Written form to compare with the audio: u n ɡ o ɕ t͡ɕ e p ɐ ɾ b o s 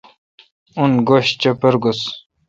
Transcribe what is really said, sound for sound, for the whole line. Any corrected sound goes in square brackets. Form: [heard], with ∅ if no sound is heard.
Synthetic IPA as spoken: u n ɡ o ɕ t͡ɕ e p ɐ ɾ [ɡ] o s